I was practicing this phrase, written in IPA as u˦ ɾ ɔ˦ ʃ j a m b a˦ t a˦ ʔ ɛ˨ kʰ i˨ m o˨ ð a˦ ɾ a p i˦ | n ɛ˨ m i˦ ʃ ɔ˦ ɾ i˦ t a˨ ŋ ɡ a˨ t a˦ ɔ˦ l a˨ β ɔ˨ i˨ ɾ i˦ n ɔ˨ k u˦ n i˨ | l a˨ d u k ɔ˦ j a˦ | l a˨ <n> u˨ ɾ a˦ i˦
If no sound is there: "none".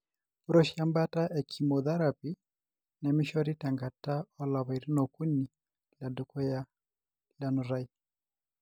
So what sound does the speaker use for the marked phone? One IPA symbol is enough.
n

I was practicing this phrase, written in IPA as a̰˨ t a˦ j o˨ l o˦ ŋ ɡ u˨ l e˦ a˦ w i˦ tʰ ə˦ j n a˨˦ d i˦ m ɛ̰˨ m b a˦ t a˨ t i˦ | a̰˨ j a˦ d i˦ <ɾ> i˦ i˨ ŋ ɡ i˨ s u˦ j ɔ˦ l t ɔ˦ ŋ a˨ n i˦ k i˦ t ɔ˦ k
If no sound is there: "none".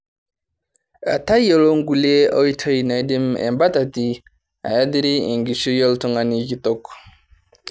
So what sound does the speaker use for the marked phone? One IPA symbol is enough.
ɾ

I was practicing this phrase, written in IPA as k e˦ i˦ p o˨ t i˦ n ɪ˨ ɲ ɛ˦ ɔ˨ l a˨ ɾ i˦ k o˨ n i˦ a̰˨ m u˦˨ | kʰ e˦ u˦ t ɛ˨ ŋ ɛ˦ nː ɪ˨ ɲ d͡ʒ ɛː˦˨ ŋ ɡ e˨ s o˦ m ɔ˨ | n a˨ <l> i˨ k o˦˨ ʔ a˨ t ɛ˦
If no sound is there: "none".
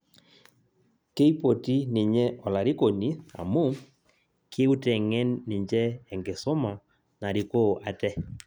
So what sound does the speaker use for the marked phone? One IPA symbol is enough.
ɾ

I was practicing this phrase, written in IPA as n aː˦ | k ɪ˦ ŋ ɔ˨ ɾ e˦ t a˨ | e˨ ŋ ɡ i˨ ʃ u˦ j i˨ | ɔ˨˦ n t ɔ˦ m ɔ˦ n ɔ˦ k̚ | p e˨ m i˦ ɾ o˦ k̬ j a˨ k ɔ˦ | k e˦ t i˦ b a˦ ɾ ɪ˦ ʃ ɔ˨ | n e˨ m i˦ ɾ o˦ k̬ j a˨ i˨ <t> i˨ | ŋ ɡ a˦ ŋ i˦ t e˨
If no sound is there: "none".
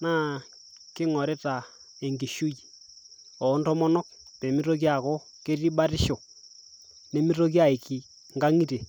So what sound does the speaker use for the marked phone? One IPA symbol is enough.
k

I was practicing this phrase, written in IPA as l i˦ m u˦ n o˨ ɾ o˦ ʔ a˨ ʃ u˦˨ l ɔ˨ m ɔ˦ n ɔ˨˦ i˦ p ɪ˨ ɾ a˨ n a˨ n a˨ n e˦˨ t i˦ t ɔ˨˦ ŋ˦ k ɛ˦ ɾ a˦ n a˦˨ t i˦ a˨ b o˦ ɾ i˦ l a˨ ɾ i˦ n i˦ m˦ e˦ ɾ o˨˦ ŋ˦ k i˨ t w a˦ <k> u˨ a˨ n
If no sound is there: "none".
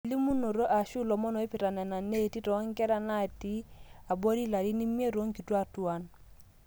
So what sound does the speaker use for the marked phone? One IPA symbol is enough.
t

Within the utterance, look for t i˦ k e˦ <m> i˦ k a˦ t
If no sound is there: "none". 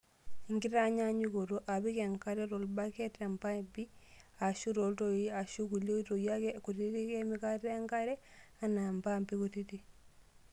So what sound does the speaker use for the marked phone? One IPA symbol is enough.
m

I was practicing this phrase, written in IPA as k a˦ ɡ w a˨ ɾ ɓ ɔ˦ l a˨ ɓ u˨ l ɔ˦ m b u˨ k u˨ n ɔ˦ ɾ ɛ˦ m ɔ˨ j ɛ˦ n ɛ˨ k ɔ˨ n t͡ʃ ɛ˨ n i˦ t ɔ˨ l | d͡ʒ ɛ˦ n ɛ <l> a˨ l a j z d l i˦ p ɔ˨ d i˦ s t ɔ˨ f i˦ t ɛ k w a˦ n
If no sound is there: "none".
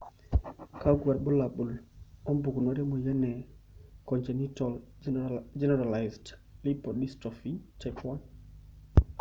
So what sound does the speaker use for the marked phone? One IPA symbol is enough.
ɾ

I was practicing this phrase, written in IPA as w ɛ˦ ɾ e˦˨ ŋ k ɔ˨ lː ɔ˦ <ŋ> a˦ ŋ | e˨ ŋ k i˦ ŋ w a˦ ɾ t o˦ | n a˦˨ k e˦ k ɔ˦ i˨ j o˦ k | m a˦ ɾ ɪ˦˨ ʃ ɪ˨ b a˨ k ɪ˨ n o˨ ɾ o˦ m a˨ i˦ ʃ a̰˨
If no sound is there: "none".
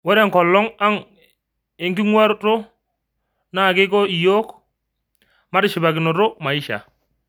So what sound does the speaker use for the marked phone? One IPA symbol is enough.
ŋ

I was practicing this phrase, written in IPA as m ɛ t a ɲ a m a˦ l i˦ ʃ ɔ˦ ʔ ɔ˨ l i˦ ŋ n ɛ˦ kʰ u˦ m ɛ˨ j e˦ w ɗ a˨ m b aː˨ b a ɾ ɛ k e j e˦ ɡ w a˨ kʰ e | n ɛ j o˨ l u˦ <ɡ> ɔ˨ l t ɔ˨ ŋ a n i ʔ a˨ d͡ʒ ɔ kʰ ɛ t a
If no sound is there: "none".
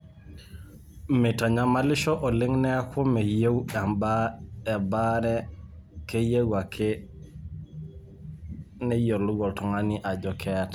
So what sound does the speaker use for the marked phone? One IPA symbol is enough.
ɡ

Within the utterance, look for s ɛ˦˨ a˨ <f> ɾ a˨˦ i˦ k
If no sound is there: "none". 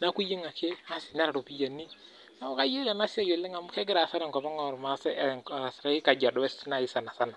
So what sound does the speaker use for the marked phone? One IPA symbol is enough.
s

